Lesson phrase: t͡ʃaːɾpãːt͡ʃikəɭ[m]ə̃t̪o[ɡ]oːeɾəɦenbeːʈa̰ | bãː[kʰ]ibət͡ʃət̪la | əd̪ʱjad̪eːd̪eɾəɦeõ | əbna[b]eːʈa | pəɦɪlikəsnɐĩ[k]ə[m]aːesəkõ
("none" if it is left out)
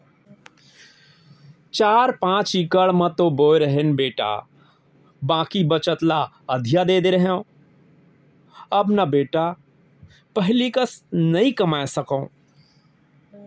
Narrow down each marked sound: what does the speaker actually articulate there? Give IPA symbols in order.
m, b, k, b, k, m

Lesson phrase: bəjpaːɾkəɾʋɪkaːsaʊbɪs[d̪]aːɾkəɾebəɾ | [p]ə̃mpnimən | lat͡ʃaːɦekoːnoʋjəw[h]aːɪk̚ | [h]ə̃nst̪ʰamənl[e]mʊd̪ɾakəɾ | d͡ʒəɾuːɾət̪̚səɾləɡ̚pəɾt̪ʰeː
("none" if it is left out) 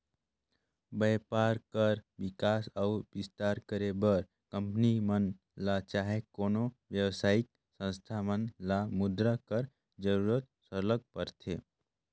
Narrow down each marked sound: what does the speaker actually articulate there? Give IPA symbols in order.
t̪, k, s, s, a

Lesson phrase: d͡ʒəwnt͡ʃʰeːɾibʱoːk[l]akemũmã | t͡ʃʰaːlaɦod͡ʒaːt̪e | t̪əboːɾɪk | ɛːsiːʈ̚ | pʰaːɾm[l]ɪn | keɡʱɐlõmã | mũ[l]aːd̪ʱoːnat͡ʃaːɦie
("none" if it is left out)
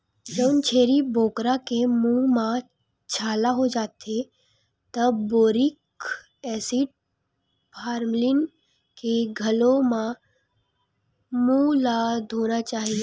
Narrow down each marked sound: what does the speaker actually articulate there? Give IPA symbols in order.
ɾ, l, l

